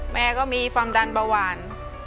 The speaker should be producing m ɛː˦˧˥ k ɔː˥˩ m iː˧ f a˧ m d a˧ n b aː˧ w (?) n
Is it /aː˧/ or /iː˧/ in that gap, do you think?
aː˧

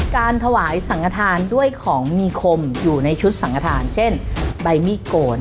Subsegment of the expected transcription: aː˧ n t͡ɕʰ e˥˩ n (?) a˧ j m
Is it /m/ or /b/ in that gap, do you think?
b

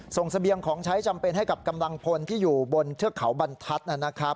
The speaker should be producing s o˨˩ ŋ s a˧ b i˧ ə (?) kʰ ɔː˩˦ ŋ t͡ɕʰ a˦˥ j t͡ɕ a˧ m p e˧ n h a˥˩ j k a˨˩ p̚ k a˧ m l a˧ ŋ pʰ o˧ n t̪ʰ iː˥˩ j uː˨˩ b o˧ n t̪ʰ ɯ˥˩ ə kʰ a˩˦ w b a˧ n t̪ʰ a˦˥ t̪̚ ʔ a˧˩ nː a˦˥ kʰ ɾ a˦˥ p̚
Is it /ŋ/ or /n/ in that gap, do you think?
ŋ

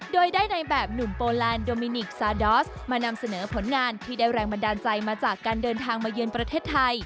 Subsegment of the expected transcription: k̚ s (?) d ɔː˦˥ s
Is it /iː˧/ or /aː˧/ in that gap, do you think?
aː˧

